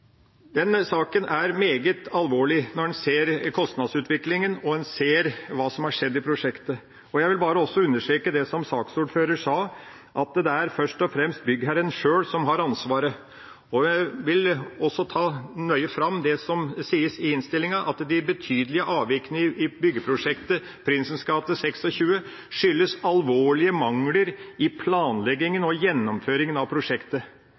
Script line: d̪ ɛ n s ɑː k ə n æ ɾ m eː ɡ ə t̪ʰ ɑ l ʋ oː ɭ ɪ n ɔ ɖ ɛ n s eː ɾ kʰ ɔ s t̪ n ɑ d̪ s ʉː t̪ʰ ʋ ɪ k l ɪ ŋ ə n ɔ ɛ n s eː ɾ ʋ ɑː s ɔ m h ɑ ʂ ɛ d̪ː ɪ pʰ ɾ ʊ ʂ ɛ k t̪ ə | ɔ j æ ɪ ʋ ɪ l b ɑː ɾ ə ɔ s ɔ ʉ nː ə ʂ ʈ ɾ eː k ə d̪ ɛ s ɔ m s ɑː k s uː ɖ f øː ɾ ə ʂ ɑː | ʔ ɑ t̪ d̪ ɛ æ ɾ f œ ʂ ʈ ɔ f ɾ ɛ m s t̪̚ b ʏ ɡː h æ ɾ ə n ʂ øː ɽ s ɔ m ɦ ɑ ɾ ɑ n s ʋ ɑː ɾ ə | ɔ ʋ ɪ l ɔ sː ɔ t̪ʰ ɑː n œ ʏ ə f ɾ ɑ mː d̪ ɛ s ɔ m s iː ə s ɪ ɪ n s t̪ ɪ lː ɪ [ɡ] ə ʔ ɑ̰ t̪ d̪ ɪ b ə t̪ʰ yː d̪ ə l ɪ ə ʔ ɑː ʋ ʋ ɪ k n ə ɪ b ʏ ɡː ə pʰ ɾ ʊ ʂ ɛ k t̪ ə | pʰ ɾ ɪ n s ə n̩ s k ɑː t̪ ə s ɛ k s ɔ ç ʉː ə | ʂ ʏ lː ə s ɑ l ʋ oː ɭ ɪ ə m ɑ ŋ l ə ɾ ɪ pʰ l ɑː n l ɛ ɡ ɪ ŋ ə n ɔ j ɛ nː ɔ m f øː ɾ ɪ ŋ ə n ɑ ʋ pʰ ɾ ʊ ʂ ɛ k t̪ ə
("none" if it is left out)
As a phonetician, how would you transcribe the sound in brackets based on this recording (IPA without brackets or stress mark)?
ŋ